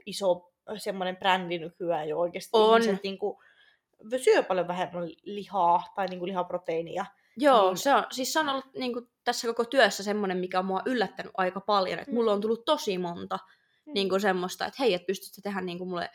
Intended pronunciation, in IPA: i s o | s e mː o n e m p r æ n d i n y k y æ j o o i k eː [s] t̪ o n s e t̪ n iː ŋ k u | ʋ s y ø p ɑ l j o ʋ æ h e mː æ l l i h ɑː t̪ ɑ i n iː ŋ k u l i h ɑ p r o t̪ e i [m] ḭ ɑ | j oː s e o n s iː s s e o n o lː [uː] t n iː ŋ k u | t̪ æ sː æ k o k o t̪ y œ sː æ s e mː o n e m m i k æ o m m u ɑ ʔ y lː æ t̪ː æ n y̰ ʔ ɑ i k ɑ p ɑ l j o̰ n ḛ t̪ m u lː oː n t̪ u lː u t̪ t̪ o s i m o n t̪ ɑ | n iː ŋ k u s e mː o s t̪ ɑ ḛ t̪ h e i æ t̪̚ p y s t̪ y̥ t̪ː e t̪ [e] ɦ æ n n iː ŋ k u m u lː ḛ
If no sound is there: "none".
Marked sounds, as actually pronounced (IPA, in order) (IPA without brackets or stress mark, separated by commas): s, n, u, e